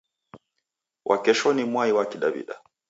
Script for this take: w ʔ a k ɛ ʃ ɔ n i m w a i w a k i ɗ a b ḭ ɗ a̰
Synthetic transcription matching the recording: w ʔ a k ɛ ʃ ɔ n i m w a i w a k i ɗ a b ḭ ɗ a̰